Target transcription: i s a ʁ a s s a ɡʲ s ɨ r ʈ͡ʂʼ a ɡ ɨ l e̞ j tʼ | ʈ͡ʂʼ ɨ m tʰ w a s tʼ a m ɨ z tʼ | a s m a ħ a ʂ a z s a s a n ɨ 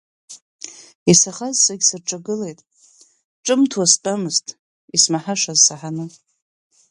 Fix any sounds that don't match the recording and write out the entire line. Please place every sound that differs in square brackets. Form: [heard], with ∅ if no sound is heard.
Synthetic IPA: i s a [χ] a [z] s a ɡʲ s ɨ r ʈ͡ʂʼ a ɡ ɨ l e̞ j tʼ | ʈ͡ʂʼ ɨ m tʰ w a s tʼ a m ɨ z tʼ | [i] s m a ħ a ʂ a z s a [ħ] a n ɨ